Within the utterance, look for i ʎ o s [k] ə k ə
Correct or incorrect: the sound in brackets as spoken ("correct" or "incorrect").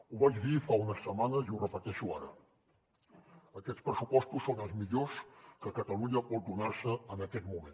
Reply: correct